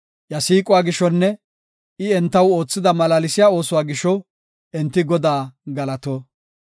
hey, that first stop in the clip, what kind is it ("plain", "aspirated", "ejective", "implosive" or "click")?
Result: ejective